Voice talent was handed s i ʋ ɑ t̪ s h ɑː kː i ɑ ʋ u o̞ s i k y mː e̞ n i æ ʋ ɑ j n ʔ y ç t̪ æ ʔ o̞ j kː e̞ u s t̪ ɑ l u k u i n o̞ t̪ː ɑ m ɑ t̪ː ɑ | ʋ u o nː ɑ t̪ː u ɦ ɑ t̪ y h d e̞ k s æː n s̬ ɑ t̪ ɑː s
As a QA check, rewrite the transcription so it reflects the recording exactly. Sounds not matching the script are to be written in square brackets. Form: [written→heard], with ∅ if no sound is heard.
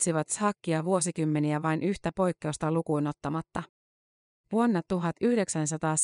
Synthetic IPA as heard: s i ʋ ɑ t̪ s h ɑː kː i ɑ ʋ u o̞ s i k y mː e̞ n i æ ʋ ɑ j n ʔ y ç t̪ æ [ʔ→p] o̞ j kː e̞ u s t̪ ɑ l u k u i n o̞ t̪ː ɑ m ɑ t̪ː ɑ | ʋ u o nː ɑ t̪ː u ɦ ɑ t̪ y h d e̞ k s [æː→æ] n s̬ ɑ t̪ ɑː s